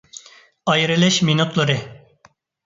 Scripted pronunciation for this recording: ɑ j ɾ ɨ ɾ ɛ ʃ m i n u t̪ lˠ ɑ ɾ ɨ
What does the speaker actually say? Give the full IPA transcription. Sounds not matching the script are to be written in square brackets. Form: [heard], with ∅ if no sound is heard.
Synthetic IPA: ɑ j ɾ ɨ [l] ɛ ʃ m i n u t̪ lˠ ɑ ɾ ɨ